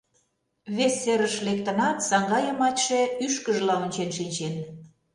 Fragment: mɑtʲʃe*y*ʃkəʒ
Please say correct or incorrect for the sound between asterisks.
correct